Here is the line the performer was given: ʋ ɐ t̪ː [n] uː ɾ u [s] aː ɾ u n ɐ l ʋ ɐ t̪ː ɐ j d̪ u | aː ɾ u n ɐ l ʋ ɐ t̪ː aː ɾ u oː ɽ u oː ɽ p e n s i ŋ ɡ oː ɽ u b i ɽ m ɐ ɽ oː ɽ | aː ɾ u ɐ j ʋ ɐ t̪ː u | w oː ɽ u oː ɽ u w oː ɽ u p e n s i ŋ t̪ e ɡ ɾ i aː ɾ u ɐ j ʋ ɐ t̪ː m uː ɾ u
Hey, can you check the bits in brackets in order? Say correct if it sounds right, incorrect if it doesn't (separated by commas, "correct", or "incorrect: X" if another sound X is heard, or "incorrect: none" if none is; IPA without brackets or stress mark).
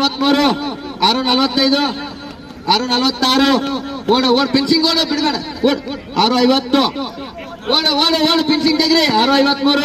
incorrect: m, incorrect: none